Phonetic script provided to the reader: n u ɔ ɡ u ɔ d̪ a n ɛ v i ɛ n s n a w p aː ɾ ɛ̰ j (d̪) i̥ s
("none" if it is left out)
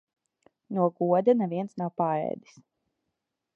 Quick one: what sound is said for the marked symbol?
d̪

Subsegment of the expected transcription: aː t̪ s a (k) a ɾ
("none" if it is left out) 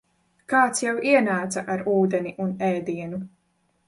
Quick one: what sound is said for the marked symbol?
ʔ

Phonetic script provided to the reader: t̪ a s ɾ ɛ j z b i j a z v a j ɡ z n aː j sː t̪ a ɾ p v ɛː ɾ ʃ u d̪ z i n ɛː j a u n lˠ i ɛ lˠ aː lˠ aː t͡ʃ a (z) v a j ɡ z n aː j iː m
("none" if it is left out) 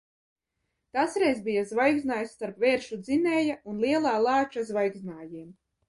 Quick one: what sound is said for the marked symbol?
z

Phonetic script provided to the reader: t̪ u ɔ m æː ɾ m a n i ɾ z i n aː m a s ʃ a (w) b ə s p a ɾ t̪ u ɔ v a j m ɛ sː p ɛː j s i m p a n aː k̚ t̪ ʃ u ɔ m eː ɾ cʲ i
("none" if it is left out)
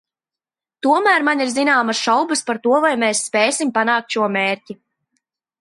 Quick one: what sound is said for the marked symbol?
w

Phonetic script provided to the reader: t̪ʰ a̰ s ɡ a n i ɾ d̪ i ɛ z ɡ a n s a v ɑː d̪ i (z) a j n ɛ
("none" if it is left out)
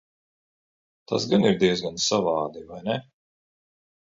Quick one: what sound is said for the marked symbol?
v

